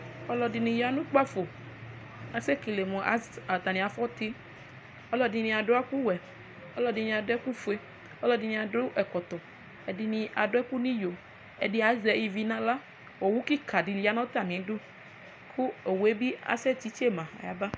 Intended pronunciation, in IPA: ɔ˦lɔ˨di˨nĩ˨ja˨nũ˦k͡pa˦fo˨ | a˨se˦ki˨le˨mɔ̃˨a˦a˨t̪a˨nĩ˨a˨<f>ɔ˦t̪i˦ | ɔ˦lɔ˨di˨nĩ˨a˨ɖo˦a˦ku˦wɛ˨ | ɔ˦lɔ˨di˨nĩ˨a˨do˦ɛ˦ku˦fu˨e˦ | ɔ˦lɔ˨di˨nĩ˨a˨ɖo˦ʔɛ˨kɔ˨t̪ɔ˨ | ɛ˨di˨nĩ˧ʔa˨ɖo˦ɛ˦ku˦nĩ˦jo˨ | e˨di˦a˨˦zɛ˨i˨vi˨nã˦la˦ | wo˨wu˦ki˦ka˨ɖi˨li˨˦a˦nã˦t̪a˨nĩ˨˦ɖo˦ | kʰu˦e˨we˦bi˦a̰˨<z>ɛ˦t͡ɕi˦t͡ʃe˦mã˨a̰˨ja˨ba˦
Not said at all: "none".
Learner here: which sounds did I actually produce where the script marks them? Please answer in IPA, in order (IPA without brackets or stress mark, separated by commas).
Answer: f, s